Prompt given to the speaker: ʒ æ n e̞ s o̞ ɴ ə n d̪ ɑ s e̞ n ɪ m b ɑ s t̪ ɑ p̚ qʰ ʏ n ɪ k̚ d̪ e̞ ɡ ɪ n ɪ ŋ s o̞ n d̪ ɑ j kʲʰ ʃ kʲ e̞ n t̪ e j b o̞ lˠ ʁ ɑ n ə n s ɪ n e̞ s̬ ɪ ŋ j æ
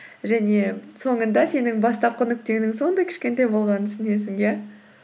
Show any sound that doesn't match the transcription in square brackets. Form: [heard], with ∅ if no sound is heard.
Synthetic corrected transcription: ʒ æ n e̞ s o̞ ɴ ə n d̪ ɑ s e̞ n ɪ [ŋ] b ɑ s t̪ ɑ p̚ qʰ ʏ n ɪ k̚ [t̪] e̞ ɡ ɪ n ɪ ŋ s o̞ n d̪ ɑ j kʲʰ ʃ kʲ e̞ n t̪ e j b o̞ lˠ ʁ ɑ n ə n s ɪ n e̞ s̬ ɪ ŋ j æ